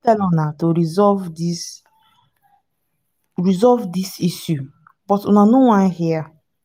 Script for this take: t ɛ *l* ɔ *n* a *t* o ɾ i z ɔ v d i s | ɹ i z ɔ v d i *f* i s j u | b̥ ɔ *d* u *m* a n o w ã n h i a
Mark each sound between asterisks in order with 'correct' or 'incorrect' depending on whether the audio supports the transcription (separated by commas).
correct, correct, correct, incorrect, incorrect, incorrect